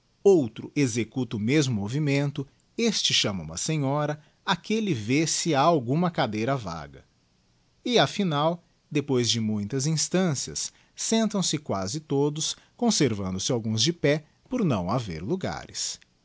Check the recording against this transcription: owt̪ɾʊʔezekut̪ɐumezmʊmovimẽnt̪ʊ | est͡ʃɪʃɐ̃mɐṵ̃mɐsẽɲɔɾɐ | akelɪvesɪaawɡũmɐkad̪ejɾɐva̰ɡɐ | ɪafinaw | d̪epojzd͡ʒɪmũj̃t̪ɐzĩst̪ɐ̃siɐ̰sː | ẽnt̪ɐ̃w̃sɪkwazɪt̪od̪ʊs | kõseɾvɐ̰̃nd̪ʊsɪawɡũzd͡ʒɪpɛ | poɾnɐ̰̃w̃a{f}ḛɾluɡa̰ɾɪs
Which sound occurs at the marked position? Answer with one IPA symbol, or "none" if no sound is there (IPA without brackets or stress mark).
v